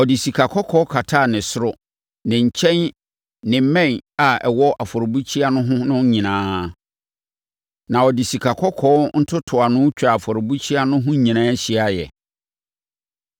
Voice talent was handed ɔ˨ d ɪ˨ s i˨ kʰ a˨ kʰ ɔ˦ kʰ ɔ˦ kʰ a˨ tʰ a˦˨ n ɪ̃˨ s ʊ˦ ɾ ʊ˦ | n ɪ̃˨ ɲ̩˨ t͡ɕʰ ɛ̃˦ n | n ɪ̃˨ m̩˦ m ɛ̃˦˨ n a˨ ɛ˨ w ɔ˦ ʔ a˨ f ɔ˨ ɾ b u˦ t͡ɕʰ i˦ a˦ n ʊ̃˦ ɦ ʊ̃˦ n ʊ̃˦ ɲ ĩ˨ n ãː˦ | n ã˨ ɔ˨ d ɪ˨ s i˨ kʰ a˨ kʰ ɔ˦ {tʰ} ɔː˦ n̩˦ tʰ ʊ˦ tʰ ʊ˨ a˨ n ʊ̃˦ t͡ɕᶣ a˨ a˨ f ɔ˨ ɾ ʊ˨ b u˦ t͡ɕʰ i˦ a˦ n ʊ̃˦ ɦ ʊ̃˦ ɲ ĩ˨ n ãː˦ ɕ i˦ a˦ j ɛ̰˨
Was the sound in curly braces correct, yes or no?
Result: no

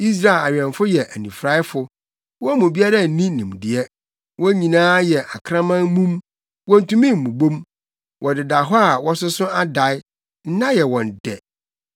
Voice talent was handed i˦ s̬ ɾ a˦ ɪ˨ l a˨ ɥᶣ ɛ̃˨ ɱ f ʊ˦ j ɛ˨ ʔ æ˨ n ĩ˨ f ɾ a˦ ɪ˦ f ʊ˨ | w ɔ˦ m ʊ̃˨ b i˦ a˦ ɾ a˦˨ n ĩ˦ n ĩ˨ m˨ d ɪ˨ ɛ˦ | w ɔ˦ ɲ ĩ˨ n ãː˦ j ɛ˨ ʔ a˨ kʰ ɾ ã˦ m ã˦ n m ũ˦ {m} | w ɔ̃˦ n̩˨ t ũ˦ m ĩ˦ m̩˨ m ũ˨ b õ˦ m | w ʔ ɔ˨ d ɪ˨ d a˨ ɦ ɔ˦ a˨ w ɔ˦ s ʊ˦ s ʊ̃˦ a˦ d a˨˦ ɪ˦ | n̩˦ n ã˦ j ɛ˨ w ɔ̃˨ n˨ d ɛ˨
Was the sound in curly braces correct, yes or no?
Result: yes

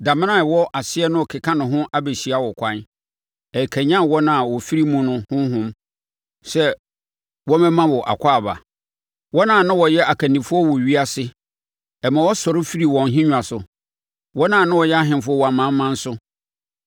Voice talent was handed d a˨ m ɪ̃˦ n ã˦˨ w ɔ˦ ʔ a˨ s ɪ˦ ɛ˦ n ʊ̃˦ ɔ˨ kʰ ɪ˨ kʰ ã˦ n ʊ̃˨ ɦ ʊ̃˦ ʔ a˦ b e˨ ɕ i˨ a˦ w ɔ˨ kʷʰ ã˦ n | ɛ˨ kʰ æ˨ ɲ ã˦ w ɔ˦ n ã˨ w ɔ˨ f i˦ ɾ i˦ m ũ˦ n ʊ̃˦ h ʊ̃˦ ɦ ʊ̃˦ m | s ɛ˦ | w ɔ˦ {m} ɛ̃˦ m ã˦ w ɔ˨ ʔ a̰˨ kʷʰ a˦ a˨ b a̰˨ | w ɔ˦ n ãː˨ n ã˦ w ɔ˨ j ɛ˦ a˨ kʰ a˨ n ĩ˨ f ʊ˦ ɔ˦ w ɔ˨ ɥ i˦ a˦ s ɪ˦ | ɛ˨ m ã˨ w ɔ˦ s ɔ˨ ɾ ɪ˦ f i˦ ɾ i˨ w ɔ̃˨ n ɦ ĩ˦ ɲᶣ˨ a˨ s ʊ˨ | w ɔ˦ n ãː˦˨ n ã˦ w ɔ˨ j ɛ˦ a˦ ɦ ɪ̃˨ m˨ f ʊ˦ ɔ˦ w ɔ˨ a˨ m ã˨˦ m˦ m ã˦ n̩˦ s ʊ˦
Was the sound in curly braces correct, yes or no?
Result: yes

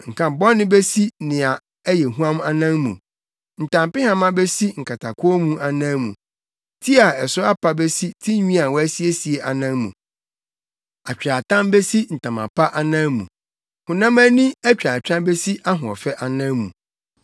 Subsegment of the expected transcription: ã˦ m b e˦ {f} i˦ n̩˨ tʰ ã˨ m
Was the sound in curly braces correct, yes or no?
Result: no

